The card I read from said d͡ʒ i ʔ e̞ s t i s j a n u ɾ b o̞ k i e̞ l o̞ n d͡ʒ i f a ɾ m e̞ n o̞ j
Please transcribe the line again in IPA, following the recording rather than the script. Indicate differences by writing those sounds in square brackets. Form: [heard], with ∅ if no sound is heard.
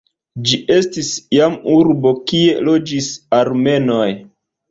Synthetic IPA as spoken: d͡ʒ i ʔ e̞ s t i s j a [m] u ɾ b o̞ k i e̞ l o̞ [∅] d͡ʒ i [s] a ɾ m e̞ n o̞ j